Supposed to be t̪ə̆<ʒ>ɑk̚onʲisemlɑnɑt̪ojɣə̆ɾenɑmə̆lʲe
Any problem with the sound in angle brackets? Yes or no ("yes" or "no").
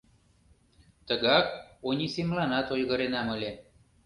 yes